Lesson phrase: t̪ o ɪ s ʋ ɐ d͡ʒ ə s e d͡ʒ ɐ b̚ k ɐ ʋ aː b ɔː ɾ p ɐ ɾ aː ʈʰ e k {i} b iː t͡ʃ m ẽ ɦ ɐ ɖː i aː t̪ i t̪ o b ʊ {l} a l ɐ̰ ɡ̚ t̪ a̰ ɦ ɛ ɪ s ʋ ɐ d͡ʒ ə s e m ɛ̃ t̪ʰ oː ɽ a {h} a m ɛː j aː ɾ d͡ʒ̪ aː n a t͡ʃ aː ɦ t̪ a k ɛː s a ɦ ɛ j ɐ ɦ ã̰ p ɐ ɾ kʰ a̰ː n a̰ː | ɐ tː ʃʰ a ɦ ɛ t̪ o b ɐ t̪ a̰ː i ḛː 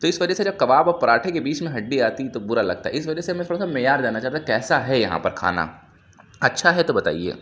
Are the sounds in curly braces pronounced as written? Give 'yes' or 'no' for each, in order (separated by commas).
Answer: no, no, no